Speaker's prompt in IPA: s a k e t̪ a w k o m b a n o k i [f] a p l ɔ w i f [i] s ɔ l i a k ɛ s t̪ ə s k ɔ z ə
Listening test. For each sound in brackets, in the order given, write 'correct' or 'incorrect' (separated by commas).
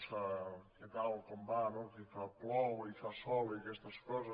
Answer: correct, incorrect